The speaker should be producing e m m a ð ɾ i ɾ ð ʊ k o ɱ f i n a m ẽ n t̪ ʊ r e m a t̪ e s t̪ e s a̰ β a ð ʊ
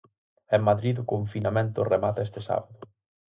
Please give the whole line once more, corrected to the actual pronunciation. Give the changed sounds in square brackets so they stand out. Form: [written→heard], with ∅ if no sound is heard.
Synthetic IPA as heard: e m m a ð ɾ i [ɾ→∅] ð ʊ k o ɱ f i n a m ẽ n t̪ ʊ r e m a t̪ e s t̪ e s a̰ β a ð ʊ